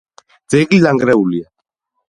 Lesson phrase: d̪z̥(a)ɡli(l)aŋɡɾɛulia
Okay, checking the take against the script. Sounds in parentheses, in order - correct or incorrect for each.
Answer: incorrect, correct

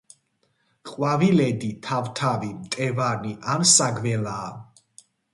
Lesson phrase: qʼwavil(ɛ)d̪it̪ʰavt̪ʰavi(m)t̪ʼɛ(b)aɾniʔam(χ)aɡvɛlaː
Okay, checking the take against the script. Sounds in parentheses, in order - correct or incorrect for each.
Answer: correct, correct, incorrect, incorrect

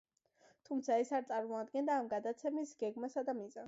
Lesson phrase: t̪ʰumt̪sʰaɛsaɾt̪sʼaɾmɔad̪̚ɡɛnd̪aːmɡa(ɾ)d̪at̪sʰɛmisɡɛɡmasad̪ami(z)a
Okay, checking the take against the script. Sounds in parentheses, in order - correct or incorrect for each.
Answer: incorrect, correct

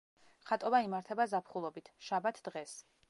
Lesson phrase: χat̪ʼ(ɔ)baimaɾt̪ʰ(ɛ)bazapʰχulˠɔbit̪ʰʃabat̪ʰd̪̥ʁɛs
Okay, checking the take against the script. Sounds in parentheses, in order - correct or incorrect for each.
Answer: correct, correct

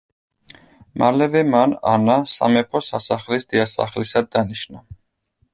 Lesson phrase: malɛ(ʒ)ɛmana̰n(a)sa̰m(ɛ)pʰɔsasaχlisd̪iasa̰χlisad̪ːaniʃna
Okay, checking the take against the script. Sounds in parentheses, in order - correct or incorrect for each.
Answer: incorrect, correct, correct

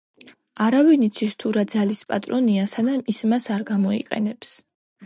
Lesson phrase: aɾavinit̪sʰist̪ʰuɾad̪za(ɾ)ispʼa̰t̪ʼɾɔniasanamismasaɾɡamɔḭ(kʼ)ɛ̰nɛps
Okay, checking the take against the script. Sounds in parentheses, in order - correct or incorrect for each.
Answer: incorrect, incorrect

